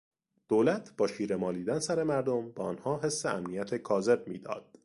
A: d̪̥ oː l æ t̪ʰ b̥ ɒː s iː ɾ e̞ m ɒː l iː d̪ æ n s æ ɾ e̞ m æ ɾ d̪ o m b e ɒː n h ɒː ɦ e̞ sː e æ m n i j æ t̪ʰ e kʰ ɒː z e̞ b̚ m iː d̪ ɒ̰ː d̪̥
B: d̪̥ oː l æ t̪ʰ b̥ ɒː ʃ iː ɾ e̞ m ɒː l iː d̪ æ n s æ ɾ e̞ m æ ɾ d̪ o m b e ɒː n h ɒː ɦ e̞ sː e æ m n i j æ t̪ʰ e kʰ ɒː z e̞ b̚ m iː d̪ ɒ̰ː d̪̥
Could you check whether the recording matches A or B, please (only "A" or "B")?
B